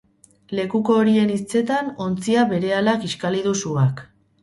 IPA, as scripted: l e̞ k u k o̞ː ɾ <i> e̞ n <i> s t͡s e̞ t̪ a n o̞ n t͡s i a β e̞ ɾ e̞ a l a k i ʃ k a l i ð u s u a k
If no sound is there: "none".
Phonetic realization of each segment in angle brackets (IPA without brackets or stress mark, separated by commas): i, i